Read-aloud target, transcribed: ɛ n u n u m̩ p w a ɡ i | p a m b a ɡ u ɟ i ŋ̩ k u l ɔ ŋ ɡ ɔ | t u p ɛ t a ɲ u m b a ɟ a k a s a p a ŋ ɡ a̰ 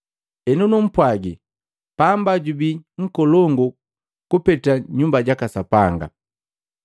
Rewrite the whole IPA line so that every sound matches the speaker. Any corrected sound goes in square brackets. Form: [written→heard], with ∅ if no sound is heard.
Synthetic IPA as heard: ɛ n u n u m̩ p w a ɡ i | p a m b a [ɡ→ɟ] u [ɟ→b] i ŋ̩ k [u→ɔ] l ɔ ŋ ɡ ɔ | [t→k] u p ɛ t a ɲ u m b a ɟ a k a s a p a ŋ ɡ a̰

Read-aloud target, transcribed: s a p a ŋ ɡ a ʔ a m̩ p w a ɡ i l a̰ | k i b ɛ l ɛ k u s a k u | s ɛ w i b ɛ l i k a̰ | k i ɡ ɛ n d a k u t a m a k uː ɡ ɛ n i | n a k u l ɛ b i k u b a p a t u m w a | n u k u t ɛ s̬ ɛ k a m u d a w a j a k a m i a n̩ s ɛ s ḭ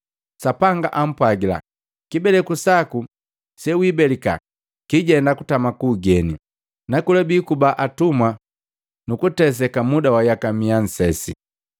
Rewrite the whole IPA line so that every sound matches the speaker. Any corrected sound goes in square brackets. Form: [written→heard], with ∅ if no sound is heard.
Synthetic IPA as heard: s a p a ŋ ɡ a ʔ a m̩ p w a ɡ i l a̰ | k i b ɛ l ɛ k u s a k u | s ɛ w i b ɛ l i k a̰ | k i [ɡ→ɟ] ɛ n d a k u t a m a k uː ɡ ɛ n i | n a k u l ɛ b i k u b a [p→ʔ] a t u m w a | n u k u t ɛ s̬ ɛ k a m u d a w a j a k a m i a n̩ s ɛ s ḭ

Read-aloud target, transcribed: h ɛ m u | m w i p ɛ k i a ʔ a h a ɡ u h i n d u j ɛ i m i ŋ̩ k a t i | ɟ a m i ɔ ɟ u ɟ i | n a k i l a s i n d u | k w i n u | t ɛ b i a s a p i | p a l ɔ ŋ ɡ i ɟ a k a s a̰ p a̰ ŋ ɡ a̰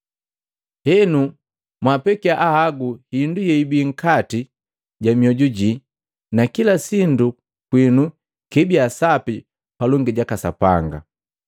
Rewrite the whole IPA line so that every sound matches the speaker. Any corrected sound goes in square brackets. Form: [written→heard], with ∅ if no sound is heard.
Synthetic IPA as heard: h ɛ [m→n] u | m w [i→a] p ɛ k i a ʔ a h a ɡ u h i n d u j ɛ i [m→b] i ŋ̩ k a t i | ɟ a m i ɔ ɟ u ɟ i | n a k i l a s i n d u | k w i n u | [t→k] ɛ b i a s a p i | p a l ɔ ŋ ɡ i ɟ a k a s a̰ p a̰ ŋ ɡ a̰

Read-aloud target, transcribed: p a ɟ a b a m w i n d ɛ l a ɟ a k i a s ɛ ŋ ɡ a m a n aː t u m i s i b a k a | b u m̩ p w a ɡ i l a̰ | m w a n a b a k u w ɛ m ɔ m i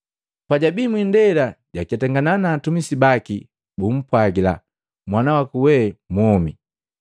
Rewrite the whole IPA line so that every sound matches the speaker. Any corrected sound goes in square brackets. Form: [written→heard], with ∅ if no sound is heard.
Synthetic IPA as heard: p a ɟ a b [a→i] m w i n d ɛ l a ɟ a k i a [s→t] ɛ ŋ ɡ a [m→n] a n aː t u m i s i b a k [a→i] | b u m̩ p w a ɡ i l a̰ | m w a n a [b→w] a k u w ɛ m ɔ m i

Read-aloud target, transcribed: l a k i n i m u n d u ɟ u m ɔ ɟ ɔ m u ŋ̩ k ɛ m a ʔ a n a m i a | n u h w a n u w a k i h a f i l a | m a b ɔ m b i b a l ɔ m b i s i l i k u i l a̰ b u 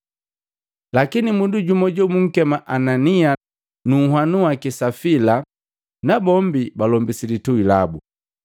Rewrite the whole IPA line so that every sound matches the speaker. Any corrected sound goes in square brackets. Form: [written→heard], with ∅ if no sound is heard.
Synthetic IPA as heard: l a k i n i m u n d u ɟ u m ɔ ɟ ɔ m u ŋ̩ k ɛ m a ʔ a n a [m→n] i a | n u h w a n u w a k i [h→s] a f i l a | [m→n] a b ɔ m b i b a l ɔ m b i s i l i [k→t] u i l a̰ b u

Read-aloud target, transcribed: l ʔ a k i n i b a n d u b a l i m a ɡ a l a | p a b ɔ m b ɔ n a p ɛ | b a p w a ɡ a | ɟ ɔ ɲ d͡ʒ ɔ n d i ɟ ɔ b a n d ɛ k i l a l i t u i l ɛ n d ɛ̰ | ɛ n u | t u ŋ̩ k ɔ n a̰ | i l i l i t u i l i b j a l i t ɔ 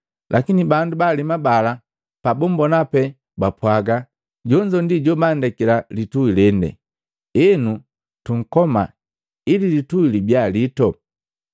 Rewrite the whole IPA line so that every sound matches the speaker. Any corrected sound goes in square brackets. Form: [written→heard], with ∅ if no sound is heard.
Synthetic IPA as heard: l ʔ a k i n i b a n d u b a l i m a [ɡ→b] a l a | p a b ɔ m b ɔ n a p ɛ | b a p w a ɡ a | ɟ ɔ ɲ d͡ʒ ɔ n d i ɟ ɔ b a n d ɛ k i l a l i t u i l ɛ n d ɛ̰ | ɛ n u | t u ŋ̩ k ɔ [n→m] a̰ | i l i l i t u i l i b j a l i t ɔ

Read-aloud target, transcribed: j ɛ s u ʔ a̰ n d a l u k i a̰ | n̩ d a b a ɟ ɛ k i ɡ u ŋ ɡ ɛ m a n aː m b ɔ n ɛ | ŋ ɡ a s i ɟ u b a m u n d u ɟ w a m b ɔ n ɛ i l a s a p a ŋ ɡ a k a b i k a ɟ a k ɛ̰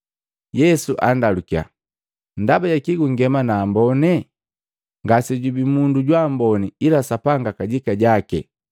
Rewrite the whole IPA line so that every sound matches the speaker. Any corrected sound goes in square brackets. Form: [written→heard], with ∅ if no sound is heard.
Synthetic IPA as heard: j ɛ s u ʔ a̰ n d a l u k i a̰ | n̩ d a b a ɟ [ɛ→a] k i ɡ u ŋ ɡ ɛ m a n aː m b ɔ n ɛ | ŋ ɡ a s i ɟ u b [a→i] m u n d u ɟ w a m b ɔ n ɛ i l a s a p a ŋ ɡ a k a [b→ɟ] i k a ɟ a k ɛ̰

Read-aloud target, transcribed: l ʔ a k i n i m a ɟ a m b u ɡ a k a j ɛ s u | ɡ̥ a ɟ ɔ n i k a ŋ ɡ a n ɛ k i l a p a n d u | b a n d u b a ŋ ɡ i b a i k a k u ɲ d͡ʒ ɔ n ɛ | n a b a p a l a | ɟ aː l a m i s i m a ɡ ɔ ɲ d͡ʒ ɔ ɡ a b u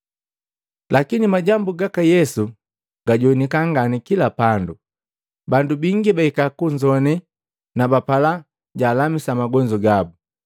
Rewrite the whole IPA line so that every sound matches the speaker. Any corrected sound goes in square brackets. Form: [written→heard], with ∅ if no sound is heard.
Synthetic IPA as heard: l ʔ a k i n i m a ɟ a m b u ɡ a k a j ɛ s u | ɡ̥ a ɟ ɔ n i k a ŋ ɡ a n [ɛ→i] k i l a p a n d u | b a n d u b [a→i] ŋ ɡ i b a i k a k u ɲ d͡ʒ ɔ n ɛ | n a b a p a l a | ɟ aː l a m i s [i→a] m a ɡ ɔ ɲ d͡ʒ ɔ ɡ a b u

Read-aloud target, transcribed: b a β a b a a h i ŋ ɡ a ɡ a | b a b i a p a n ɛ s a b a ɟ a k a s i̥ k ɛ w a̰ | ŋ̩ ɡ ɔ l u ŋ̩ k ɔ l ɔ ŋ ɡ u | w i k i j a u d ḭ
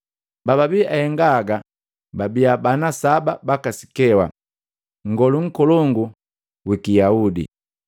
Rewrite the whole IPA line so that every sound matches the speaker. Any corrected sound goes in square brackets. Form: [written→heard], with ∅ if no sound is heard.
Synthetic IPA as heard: b a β a b [a→i] a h [i→ɛ] ŋ ɡ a ɡ a | b a b i a [p→b] a n [ɛ→a] s a b a [ɟ→b] a k a s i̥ k ɛ w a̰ | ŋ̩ ɡ ɔ l u ŋ̩ k ɔ l ɔ ŋ ɡ u | w i k i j a u d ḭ

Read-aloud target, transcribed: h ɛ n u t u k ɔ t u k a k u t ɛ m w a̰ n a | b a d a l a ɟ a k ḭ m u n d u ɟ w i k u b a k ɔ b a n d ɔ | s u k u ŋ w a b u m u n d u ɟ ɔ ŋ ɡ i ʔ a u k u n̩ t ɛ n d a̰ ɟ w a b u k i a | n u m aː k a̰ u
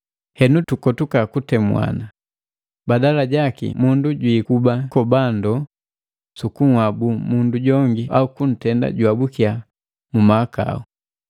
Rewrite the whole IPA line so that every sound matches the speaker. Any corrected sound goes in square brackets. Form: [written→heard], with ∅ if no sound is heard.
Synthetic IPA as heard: h ɛ n u t u k ɔ t u k a k u t ɛ m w a̰ n a | b a d a l a ɟ a k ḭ m u n d u ɟ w i k u b a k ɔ b a n d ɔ | s u k u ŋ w a b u m u n d u ɟ ɔ ŋ ɡ i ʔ a u k u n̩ t ɛ n d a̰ ɟ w a b u k i a | [n→m] u m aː k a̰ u

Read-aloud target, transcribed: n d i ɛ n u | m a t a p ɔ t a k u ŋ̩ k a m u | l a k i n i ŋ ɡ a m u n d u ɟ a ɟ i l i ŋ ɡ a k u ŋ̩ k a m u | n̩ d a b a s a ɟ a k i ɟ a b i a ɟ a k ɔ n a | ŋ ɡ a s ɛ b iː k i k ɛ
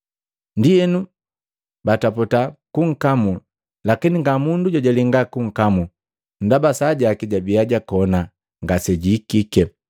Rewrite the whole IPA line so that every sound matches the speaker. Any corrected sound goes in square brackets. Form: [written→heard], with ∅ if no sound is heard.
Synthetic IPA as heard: n d i ɛ n u | [m→b] a t a p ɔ t a k u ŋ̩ k a m u | l a k i n i ŋ ɡ a m u n d u ɟ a ɟ [i→a] l i ŋ ɡ a k u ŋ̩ k a m u | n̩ d a b a s a ɟ a k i ɟ a b i a ɟ a k ɔ n a | ŋ ɡ a s ɛ [b→ɟ] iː k i k ɛ

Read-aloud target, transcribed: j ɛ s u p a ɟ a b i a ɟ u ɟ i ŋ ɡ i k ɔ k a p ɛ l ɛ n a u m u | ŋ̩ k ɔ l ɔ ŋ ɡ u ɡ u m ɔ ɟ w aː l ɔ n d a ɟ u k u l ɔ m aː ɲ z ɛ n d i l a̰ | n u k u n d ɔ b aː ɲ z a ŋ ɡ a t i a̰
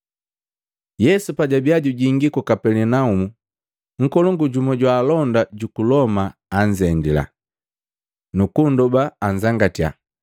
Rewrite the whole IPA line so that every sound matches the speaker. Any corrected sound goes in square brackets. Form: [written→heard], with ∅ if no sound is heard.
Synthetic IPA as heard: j ɛ s u p a ɟ a b i a ɟ u ɟ i ŋ ɡ i k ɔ k a p ɛ l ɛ n a u m u | ŋ̩ k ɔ l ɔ ŋ ɡ u [ɡ→ɟ] u m ɔ ɟ w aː l ɔ n d a ɟ u k u l ɔ m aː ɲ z ɛ n d i l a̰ | n u k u n d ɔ b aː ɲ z a ŋ ɡ a t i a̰

